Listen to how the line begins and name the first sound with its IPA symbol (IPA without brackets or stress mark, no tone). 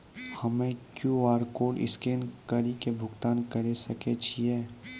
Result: h